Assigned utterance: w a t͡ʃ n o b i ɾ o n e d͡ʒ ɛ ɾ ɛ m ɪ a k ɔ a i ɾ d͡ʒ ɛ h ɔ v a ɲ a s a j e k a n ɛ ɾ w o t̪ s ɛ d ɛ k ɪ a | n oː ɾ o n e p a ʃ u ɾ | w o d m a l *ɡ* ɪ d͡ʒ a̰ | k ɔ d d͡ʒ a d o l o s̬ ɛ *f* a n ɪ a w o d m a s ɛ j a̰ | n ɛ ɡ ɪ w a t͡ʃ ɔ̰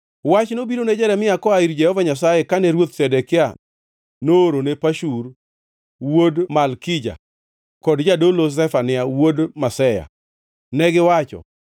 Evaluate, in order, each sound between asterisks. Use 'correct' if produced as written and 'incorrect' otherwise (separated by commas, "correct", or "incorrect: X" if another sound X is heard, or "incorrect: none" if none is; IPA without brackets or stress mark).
incorrect: k, correct